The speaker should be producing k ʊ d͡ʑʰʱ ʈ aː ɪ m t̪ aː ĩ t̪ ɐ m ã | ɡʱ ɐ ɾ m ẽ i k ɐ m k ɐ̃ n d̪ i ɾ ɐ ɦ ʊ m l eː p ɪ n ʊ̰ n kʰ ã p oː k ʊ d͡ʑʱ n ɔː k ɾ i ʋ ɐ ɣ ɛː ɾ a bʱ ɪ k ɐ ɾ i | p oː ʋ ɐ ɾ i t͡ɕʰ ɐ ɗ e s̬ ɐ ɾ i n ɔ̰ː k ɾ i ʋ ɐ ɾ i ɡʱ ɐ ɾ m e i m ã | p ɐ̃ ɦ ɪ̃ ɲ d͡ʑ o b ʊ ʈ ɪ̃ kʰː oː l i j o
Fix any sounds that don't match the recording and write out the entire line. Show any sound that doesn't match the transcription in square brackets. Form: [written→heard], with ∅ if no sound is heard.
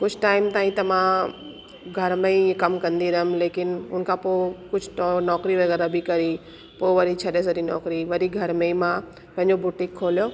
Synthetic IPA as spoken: k ʊ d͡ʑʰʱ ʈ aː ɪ m t̪ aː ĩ t̪ ɐ m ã | ɡʱ ɐ ɾ m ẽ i k ɐ m k ɐ̃ n d̪ i ɾ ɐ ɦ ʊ m l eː [p→k] ɪ n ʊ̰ n kʰ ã p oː k ʊ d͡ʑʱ n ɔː k ɾ i ʋ ɐ ɣ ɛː ɾ a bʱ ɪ k ɐ ɾ i | p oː ʋ ɐ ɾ i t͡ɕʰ ɐ ɗ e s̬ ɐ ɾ i n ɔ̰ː k ɾ i ʋ ɐ ɾ i ɡʱ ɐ ɾ m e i m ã | p ɐ̃ ɦ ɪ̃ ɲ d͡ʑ o b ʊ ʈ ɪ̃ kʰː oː l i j o